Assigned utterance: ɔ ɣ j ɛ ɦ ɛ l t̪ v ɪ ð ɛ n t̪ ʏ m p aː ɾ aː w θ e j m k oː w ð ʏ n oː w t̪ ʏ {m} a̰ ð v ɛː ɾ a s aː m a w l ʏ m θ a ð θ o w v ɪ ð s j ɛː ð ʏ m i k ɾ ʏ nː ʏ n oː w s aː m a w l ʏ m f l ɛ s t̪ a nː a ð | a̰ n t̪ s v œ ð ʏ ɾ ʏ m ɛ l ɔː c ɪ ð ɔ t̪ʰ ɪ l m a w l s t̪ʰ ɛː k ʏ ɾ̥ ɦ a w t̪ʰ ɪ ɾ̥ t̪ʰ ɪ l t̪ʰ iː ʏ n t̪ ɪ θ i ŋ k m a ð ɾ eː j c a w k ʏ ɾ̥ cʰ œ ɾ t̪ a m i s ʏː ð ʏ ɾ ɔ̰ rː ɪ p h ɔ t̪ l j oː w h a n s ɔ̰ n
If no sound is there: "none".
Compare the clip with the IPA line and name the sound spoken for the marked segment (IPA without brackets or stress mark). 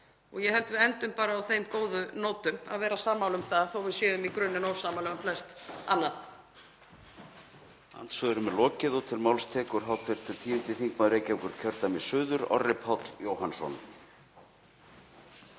m